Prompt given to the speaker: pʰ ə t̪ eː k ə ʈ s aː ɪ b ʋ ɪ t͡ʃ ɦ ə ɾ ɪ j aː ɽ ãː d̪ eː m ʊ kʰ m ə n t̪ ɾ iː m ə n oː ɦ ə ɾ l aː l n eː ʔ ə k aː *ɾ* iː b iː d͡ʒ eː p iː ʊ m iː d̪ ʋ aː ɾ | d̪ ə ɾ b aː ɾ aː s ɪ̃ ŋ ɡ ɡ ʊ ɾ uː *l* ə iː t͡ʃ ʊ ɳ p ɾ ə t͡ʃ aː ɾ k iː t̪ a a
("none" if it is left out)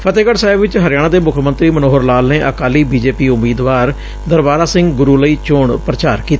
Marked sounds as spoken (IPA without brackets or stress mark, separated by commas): l, l